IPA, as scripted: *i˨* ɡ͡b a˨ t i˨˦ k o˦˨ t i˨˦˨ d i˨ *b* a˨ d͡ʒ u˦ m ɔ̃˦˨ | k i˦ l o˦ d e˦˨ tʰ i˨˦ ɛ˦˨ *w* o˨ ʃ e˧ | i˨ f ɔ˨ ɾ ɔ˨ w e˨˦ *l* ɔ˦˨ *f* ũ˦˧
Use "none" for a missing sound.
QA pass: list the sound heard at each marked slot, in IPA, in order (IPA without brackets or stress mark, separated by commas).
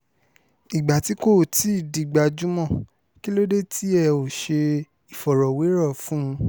i˨, ɡ͡b, none, ɾ, f